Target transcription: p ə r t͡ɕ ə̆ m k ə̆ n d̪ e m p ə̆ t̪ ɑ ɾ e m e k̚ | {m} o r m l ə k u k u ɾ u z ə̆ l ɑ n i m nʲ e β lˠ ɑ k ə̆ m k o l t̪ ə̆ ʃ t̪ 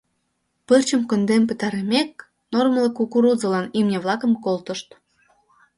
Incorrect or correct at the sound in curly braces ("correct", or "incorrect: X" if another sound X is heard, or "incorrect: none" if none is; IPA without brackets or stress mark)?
incorrect: n